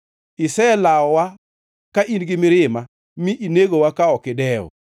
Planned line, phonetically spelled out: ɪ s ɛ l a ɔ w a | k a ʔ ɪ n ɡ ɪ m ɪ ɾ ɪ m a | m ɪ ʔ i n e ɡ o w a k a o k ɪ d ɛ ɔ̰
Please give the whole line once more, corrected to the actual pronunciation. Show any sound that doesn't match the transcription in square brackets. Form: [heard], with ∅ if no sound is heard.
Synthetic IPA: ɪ s ɛ l a ɔ w a | k a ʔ [i] n ɡ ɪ m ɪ ɾ ɪ m a | m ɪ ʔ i n e ɡ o w a k a [ɔ] k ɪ d ɛ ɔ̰